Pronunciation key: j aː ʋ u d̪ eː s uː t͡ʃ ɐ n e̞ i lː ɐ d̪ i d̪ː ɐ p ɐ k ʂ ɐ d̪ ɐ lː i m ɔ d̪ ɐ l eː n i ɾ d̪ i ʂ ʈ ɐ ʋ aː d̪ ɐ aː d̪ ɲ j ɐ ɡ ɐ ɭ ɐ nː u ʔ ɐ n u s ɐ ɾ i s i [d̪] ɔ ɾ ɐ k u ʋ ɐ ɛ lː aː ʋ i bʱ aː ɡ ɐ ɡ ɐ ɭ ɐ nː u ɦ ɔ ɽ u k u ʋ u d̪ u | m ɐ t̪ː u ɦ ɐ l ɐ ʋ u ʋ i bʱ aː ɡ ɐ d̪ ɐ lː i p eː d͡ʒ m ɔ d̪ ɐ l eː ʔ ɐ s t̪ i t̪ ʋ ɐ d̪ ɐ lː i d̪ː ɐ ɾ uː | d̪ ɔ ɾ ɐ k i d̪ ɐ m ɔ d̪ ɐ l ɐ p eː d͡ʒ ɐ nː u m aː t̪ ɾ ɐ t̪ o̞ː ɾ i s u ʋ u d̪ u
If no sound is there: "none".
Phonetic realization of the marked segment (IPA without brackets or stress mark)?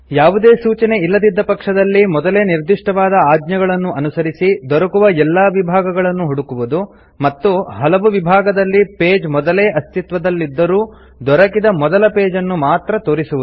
d̪